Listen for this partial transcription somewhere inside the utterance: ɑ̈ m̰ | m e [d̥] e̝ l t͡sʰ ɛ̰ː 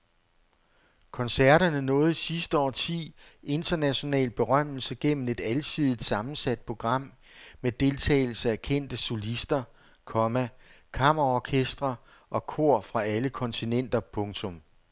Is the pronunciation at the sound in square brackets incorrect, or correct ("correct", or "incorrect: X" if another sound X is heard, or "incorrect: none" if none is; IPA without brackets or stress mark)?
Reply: correct